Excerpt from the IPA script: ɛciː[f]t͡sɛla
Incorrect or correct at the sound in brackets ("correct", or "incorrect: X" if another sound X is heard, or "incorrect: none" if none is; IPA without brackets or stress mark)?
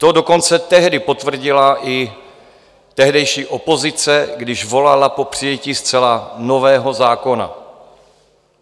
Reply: incorrect: s